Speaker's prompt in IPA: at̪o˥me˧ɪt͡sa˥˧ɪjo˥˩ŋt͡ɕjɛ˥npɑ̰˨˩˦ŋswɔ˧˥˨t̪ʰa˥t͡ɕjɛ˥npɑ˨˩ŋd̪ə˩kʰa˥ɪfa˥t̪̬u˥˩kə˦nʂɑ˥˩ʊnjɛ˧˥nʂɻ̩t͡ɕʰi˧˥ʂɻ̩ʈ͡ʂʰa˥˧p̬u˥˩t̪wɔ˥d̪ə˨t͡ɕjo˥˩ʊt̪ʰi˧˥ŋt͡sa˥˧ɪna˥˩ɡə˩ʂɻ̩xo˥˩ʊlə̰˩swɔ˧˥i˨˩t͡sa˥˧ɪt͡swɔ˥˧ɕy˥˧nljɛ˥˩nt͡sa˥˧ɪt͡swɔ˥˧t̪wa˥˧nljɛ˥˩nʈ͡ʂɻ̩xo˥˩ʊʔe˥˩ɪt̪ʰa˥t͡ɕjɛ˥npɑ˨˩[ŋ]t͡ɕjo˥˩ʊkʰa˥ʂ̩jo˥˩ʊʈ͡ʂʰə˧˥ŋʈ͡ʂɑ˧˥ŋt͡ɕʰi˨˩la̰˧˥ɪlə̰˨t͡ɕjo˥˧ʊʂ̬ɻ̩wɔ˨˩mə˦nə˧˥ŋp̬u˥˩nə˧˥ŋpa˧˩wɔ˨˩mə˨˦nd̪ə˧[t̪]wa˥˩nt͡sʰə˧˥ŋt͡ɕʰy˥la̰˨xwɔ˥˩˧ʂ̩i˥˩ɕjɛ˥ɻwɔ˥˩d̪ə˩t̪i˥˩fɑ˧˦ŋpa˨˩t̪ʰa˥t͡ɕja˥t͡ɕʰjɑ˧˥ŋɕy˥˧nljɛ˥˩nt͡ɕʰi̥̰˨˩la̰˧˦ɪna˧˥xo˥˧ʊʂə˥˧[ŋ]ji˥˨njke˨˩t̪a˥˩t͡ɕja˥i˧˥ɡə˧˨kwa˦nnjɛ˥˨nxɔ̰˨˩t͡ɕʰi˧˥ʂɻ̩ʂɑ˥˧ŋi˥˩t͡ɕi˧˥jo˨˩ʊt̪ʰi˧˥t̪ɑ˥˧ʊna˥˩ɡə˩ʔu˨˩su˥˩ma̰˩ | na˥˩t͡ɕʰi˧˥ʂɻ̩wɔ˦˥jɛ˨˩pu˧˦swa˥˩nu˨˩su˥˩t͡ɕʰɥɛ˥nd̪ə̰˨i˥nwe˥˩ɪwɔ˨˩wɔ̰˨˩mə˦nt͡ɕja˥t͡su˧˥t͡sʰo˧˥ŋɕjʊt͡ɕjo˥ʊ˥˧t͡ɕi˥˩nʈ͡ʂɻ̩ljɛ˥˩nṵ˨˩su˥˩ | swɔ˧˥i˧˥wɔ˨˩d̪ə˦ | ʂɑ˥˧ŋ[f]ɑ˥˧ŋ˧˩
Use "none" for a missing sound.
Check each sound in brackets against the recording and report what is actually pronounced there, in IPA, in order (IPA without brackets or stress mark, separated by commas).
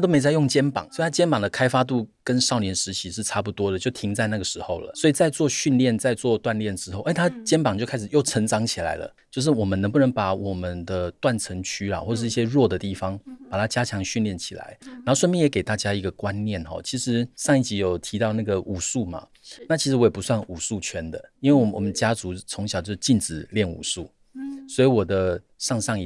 ŋ, t̪, m, ʂ